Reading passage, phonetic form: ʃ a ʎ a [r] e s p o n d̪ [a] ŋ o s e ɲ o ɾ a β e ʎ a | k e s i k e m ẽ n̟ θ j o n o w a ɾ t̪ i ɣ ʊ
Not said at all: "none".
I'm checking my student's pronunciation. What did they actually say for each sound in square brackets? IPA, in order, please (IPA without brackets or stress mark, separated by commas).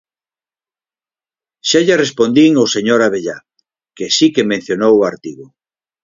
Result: r, i